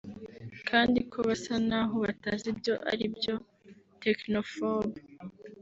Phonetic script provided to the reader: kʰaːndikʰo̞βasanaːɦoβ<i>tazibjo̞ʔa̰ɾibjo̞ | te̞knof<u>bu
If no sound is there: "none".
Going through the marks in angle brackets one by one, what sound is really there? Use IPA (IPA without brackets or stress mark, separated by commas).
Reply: a, o